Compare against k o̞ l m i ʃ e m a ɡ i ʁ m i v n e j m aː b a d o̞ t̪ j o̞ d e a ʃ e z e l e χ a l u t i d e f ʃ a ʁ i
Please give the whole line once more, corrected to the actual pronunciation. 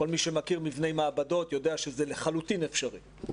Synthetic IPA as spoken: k o̞ l m i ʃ e m a k i ʁ m i v n e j m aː b a d o̞ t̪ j o̞ d e a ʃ e z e l e χ a l u t i n e f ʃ a ʁ i